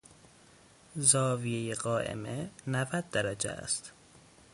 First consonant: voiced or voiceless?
voiced